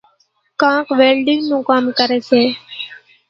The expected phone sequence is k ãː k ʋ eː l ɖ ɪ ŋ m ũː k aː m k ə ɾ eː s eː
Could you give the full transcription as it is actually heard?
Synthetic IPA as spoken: k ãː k ʋ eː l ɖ ɪ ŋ n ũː k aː m k ə ɾ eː s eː